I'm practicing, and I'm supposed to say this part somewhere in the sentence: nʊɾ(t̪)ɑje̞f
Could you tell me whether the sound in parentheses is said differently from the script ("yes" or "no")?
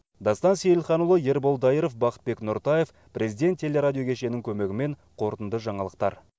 no